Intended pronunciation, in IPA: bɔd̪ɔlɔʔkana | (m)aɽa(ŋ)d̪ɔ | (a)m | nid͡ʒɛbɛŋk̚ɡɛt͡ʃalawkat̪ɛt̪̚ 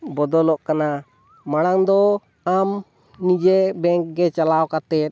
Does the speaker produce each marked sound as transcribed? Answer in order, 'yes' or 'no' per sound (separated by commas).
yes, yes, yes